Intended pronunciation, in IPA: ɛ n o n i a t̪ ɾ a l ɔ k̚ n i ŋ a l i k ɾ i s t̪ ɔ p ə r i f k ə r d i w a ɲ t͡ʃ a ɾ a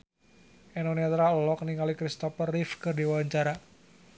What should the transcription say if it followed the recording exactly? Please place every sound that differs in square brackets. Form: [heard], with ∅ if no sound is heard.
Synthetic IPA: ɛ n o n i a t̪ ɾ a l ɔ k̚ n i ŋ a l i k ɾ i s t̪ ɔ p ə r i f k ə r d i w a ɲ t͡ʃ a ɾ a